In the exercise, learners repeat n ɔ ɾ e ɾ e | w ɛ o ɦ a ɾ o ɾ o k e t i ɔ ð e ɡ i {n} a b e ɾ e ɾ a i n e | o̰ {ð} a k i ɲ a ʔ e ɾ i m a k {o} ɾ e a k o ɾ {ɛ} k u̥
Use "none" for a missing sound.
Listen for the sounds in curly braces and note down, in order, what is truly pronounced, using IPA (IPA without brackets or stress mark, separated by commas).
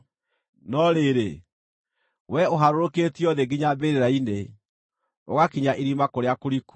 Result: ɲ, ɣ, o, i